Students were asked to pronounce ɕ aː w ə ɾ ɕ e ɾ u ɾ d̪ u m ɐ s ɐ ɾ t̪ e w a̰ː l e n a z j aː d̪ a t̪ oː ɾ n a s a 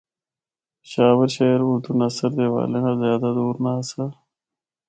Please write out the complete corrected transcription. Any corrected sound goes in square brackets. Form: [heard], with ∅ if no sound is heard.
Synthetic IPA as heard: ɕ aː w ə ɾ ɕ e ɾ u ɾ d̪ u [n] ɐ s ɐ ɾ [d̪] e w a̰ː l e n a z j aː d̪ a [d̪] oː ɾ n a s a